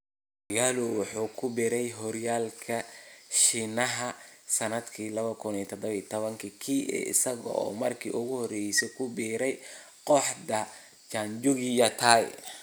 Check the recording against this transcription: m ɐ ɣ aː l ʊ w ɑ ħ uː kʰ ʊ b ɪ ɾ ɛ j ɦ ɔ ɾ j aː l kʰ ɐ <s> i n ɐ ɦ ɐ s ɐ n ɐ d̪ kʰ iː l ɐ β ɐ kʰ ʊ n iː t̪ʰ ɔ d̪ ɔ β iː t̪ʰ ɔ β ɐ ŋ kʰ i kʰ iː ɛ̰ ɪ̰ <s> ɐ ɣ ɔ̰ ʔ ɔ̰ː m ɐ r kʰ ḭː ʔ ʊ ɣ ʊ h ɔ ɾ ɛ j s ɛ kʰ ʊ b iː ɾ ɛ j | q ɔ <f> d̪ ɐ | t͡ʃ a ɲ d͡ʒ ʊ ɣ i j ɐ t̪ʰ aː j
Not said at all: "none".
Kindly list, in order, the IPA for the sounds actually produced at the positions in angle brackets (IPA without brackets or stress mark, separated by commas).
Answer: ʃ, s, ħ